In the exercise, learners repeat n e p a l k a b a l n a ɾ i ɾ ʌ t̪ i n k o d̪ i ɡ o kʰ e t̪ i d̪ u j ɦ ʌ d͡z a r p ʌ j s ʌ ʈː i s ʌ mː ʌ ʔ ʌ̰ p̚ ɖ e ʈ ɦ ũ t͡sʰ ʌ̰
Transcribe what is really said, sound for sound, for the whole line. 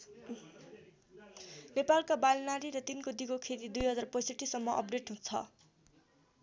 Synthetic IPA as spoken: n e p a l k a b a l n a ɾ i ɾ ʌ t̪ i n k o d̪ i ɡ o kʰ e t̪ i d̪ u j ɦ ʌ d͡z a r p ʌ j s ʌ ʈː i s ʌ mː ʌ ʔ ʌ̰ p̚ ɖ e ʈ ɦ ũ t͡sʰ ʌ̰